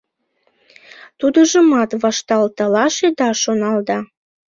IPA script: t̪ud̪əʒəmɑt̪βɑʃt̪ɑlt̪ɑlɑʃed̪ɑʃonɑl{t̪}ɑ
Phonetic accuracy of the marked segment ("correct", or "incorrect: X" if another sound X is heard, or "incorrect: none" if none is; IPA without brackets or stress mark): incorrect: d̪